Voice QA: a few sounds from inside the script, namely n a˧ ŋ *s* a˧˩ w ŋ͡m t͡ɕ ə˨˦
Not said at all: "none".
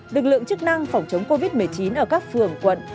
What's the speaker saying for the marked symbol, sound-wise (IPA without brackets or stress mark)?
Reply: f